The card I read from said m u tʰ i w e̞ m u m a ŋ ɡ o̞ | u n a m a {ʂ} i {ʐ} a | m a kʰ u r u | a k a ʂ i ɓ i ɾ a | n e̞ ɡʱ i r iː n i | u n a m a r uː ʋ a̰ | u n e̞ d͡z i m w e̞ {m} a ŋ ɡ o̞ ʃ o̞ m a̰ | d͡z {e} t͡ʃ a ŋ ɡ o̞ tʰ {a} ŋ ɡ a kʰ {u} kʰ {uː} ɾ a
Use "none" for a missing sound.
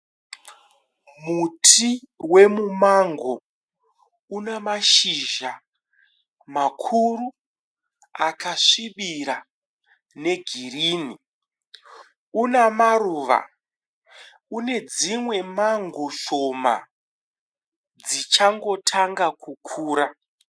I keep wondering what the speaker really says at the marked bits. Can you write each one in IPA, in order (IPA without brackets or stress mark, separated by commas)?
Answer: ʃ, ʒ, m, i, a, u, uː